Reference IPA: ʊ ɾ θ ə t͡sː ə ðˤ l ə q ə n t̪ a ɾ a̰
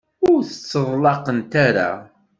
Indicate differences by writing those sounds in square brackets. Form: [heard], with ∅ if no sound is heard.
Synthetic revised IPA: ʊ ɾ θ ə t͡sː ə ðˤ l [ɑ] q ə n t̪ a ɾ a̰